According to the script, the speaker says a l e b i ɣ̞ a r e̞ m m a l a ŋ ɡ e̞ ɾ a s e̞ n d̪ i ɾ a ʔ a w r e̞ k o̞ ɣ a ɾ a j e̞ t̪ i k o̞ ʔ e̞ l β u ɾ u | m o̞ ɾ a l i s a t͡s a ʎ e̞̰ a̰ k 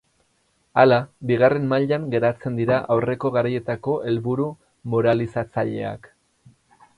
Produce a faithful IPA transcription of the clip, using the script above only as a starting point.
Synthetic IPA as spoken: a l a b i ɣ̞ a r e̞ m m a ʎ a ŋ ɡ e̞ ɾ a t͡s e̞ n d̪ i ɾ a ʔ a w r e̞ k o̞ ɣ a ɾ a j e̞ t̪ a k o̞ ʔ e̞ l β u ɾ u | m o̞ ɾ a l i s a t͡s a ʎ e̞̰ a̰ k